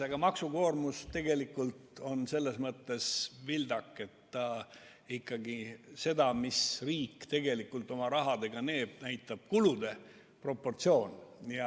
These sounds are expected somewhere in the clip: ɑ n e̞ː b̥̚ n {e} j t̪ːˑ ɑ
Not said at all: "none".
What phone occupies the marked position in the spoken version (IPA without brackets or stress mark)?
æ